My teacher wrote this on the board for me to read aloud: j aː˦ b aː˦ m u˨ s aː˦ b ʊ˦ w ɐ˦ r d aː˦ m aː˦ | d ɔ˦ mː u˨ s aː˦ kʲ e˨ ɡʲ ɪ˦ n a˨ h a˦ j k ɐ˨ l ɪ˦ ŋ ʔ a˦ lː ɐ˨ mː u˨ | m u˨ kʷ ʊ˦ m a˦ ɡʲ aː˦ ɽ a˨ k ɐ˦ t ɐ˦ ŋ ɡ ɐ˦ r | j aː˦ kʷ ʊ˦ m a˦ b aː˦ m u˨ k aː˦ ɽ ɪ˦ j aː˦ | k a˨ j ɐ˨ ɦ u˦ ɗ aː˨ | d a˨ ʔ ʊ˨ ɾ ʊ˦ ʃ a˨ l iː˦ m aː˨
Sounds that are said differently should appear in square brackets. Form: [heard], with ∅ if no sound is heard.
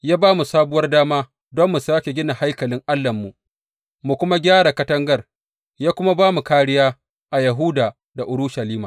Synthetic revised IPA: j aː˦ b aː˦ m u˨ s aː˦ b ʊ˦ w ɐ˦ r d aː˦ m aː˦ | d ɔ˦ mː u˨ s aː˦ kʲ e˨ ɡʲ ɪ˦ n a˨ h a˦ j k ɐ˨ l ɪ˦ ŋ ʔ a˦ lː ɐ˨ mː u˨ | m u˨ kʷ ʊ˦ m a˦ ɡʲ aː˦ ɽ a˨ k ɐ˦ t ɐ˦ ŋ ɡ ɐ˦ r | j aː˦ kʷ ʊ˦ m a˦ b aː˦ m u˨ k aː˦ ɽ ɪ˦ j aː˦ | [ʔ] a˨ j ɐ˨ ɦ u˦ [d] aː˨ | d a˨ ʔ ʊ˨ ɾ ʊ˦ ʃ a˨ l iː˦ m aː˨

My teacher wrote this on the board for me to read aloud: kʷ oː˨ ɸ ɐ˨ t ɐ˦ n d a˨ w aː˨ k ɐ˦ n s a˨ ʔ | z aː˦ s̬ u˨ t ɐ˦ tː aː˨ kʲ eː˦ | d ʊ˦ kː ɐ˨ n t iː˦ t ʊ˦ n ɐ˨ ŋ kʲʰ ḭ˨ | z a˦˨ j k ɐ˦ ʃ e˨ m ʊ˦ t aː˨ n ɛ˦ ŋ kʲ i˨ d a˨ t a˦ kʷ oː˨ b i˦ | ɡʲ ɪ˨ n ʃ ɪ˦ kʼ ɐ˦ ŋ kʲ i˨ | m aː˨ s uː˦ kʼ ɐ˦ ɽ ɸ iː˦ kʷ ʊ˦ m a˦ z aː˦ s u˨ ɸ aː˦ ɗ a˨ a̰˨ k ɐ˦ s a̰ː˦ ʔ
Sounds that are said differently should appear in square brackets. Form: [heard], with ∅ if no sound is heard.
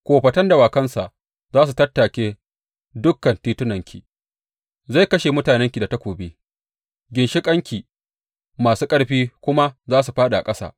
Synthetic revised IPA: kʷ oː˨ ɸ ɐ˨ t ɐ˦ n d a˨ w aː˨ k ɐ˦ n s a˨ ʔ | z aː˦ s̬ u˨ t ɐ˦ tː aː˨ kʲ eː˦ | d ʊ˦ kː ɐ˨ n t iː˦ t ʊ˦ n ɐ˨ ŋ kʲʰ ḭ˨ | z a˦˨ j k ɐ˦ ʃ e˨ m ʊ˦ t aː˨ n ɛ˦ ŋ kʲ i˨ d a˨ t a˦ kʷ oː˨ b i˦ | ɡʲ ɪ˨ n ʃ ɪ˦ kʼ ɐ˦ ŋ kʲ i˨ | m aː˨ s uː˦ kʼ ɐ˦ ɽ ɸ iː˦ kʷ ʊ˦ m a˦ z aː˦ s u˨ ɸ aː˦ ɗ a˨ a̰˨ [kʼ] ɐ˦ s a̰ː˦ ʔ

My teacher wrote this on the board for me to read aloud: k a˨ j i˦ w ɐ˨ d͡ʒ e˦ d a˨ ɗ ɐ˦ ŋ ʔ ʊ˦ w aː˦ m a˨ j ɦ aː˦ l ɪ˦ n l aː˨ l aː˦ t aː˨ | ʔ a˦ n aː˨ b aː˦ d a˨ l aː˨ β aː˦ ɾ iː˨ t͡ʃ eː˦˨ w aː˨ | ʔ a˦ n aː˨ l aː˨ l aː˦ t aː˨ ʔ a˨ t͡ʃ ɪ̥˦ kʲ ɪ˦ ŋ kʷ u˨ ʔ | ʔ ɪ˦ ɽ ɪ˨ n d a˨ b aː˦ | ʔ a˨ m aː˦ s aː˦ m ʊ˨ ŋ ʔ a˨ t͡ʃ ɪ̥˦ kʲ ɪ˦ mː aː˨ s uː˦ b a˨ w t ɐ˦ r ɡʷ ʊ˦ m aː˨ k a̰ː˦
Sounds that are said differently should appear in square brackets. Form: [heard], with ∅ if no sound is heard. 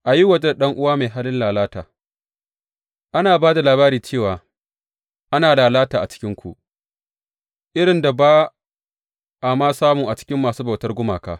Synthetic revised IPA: [ʔ] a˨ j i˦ w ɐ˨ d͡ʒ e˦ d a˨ ɗ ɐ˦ ŋ ʔ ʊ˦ w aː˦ m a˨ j ɦ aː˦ l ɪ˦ n l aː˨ l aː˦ t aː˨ | ʔ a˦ n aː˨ b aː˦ d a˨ l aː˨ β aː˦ ɾ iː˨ t͡ʃ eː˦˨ w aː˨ | ʔ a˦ n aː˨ l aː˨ l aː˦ t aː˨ ʔ a˨ t͡ʃ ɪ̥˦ kʲ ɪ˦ ŋ kʷ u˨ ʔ | ʔ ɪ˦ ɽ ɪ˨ n d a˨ b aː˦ | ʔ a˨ m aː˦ s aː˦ m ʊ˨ ŋ ʔ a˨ t͡ʃ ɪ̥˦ kʲ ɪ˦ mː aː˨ s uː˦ b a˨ w t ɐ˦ r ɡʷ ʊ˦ m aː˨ k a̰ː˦

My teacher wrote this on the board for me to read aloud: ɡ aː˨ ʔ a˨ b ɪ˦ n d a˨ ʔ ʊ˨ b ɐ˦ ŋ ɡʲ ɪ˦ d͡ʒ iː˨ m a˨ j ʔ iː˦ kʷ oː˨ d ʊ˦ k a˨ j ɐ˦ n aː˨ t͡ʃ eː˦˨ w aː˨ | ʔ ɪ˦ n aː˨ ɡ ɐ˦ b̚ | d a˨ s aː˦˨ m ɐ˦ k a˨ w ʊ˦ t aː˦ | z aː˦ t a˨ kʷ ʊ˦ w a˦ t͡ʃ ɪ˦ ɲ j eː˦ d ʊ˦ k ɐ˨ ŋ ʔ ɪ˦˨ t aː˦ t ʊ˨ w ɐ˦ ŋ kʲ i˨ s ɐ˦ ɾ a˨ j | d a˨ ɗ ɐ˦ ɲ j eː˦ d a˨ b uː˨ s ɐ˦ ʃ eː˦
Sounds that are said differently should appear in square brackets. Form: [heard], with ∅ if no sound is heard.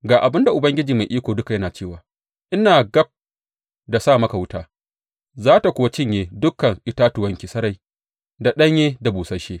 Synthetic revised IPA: ɡ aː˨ ʔ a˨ b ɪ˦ n d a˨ ʔ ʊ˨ b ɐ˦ ŋ ɡʲ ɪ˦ d͡ʒ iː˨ m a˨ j ʔ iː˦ kʷ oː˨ d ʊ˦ k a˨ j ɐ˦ n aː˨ t͡ʃ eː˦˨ w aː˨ | ʔ ɪ˦ n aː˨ ɡ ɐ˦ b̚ | d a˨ s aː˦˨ m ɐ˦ k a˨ w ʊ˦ t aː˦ | z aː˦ t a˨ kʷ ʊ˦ w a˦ t͡ʃ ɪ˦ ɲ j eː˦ d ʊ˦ k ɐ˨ ŋ ʔ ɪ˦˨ t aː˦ t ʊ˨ w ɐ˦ ŋ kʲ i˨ s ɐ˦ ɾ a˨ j | d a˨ ɗ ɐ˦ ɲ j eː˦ d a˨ b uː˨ s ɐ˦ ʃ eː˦

